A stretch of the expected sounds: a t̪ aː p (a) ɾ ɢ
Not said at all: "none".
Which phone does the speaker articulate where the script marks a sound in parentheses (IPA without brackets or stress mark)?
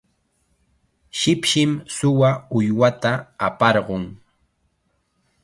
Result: ɑ